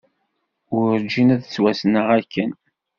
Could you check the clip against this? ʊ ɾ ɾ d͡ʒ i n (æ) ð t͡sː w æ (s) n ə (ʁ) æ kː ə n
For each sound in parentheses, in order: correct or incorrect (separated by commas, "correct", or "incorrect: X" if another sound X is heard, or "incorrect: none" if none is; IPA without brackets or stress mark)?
correct, correct, correct